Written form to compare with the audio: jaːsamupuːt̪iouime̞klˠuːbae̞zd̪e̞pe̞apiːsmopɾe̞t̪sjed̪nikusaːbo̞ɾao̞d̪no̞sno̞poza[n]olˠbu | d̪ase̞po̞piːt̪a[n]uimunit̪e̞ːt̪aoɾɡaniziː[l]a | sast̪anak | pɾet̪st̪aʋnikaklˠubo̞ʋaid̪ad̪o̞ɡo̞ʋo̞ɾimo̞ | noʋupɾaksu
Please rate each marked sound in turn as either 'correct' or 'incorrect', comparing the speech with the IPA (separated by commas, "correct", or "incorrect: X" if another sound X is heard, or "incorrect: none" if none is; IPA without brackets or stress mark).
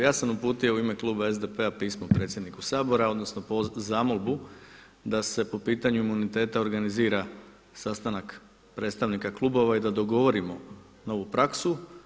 incorrect: m, incorrect: ɲ, incorrect: ɾ